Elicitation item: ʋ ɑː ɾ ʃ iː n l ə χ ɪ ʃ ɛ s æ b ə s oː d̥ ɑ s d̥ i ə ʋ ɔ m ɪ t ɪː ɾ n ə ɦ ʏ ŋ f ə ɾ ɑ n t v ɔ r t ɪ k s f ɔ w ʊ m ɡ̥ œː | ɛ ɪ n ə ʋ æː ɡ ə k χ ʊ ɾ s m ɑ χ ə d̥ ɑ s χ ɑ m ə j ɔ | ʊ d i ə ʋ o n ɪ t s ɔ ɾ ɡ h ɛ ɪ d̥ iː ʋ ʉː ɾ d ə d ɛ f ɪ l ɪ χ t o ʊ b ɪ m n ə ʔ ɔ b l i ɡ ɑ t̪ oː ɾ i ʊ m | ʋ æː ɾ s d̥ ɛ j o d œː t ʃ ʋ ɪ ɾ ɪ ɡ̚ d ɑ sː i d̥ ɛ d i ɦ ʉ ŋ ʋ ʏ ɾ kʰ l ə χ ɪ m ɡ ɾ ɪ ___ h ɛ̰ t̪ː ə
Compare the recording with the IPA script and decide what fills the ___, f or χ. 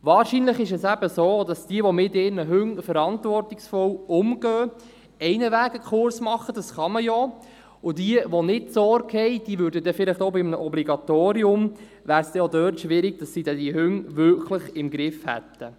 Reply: f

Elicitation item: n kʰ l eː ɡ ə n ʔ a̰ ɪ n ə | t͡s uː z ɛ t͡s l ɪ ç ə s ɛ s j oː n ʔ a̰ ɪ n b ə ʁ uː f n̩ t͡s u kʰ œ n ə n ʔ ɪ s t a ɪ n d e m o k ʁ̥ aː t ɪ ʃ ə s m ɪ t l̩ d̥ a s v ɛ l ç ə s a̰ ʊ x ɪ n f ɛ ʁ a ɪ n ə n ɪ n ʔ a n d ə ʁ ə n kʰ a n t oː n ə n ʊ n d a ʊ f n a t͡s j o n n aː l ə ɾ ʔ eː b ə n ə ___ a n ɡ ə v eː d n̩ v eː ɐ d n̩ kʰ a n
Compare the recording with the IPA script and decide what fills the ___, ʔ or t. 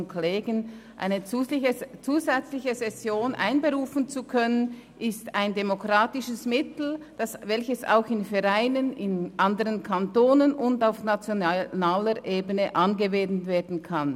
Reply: ʔ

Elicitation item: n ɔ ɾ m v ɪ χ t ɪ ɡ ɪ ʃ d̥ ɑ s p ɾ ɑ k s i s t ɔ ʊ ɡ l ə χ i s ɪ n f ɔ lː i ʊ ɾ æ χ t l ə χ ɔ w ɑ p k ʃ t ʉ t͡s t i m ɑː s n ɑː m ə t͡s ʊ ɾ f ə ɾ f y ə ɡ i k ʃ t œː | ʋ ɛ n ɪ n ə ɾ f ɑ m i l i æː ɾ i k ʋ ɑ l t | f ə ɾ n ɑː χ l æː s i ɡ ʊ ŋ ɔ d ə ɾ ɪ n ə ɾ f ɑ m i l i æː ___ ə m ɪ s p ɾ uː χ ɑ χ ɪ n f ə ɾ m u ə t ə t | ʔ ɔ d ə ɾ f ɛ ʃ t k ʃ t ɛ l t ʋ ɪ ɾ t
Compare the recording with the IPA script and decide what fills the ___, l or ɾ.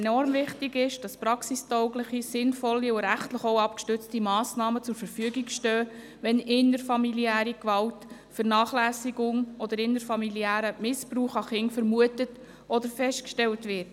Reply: ɾ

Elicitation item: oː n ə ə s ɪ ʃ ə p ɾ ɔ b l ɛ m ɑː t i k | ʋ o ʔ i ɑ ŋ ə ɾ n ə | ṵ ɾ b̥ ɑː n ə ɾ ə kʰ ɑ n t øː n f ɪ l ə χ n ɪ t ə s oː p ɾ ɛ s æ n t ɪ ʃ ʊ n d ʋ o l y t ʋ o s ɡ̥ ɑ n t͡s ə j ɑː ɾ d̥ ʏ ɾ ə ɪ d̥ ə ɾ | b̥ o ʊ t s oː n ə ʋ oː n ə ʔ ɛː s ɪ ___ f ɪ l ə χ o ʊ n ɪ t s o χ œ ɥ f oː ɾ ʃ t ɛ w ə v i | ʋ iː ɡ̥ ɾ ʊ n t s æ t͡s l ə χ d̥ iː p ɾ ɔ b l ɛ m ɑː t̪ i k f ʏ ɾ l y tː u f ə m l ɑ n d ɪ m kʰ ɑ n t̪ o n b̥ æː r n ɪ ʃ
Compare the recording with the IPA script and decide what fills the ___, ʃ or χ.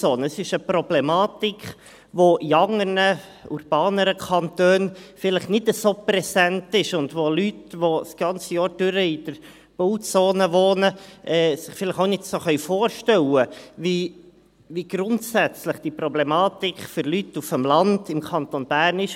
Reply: χ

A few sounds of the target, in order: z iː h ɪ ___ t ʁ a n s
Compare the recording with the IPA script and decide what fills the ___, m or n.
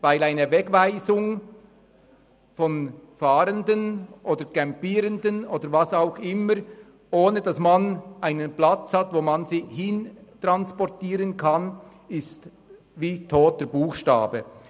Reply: n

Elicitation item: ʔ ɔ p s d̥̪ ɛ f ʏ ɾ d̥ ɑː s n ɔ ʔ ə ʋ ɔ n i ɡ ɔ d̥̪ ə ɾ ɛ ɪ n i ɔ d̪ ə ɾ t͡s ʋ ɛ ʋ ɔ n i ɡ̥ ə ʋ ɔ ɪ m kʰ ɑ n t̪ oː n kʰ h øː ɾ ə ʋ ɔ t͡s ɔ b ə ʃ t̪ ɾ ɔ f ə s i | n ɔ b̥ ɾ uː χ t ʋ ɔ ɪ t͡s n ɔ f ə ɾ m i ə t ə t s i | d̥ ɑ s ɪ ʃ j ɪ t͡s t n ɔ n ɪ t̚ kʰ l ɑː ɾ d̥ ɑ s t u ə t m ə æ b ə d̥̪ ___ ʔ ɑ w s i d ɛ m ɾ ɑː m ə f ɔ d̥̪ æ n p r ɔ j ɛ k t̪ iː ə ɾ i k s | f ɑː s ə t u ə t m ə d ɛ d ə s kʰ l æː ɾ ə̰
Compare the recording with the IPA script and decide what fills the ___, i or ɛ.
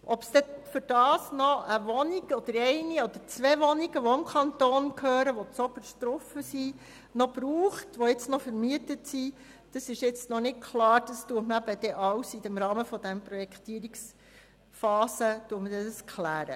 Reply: ɛ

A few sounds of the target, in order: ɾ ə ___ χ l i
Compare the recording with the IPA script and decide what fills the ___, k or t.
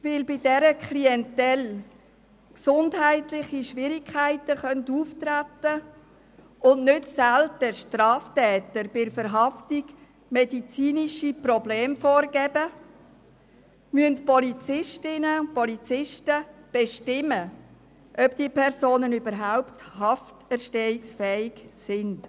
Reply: k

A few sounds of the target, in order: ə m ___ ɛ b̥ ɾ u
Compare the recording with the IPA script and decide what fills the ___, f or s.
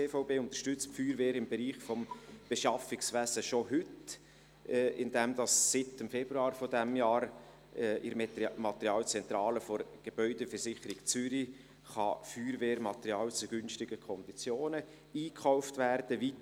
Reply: f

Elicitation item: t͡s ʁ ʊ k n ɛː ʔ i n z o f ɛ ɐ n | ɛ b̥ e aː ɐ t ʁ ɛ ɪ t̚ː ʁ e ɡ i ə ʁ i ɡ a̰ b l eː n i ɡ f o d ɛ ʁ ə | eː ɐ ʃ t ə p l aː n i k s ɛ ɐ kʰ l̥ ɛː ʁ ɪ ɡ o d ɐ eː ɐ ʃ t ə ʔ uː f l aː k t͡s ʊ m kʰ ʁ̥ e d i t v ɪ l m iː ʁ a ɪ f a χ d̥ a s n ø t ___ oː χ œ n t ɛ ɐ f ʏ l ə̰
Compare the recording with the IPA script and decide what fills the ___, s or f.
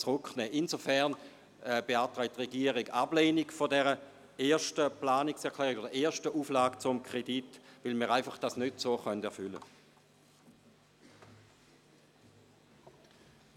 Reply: s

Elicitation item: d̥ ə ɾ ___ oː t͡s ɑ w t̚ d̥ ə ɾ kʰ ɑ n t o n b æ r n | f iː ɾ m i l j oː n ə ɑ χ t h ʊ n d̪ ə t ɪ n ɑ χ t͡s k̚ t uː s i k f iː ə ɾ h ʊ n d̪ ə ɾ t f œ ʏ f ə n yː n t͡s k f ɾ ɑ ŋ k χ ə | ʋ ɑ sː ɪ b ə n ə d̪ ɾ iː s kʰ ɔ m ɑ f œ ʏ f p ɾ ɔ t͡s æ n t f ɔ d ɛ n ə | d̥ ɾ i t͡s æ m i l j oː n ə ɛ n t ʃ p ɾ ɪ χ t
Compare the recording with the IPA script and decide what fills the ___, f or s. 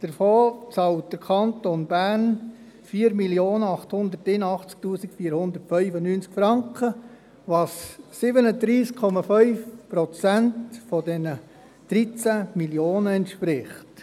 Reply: f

